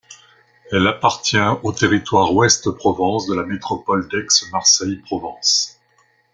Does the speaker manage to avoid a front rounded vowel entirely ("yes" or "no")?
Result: yes